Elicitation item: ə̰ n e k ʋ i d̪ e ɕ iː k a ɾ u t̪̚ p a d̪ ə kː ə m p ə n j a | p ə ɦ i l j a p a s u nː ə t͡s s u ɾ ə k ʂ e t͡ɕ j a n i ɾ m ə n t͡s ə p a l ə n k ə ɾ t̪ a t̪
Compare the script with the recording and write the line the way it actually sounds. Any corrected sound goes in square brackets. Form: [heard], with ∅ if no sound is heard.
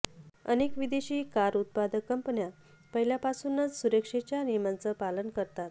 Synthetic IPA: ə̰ n e k ʋ i d̪ e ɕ iː k a ɾ u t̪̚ p a d̪ ə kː ə m p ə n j a | p ə ɦ i l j a p a s u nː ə t͡s s u ɾ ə k ʂ e t͡ɕ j a n i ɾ m [a] n t͡s ə p a l ə n k ə ɾ t̪ a t̪